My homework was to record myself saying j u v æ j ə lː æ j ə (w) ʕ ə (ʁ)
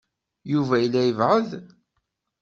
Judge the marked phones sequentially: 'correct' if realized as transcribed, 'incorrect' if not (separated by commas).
incorrect, incorrect